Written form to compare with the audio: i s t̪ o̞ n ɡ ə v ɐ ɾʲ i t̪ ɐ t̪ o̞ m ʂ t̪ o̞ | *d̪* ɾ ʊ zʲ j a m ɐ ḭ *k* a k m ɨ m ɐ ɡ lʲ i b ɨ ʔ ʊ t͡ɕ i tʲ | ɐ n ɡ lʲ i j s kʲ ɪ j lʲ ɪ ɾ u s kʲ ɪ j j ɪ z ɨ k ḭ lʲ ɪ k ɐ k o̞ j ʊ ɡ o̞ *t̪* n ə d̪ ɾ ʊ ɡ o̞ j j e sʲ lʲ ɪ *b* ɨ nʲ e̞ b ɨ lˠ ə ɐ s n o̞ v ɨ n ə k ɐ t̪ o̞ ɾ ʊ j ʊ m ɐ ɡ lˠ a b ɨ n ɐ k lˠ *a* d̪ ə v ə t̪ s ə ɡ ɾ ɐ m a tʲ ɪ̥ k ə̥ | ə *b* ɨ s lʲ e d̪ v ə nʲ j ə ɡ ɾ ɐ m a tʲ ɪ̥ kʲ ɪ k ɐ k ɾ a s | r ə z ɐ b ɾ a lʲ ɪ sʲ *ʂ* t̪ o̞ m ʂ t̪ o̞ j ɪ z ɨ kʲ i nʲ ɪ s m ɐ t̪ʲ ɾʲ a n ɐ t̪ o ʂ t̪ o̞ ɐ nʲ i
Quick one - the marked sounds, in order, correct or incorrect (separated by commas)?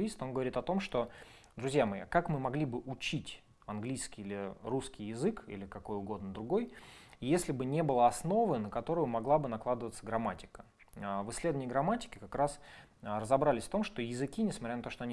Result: correct, correct, incorrect, correct, correct, incorrect, incorrect